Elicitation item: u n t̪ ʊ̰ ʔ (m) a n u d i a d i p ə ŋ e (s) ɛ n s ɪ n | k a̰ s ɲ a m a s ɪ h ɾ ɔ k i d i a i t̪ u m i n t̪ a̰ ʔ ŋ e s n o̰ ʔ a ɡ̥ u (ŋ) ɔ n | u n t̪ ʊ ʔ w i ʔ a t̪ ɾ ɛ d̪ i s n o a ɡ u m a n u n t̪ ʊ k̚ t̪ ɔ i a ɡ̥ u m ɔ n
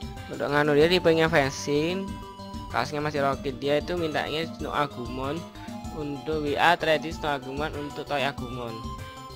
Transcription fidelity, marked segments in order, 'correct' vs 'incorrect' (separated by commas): incorrect, incorrect, incorrect